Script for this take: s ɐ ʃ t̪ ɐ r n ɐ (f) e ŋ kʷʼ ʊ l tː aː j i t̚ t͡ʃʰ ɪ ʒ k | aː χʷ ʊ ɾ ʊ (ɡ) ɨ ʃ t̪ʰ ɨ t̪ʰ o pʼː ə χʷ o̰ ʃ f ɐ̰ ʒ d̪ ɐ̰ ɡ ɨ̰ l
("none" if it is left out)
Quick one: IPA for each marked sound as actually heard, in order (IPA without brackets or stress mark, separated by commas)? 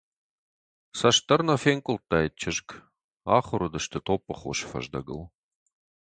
f, d